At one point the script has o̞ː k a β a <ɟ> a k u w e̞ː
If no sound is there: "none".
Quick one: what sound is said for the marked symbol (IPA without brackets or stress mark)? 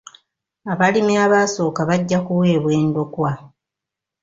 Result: ɟː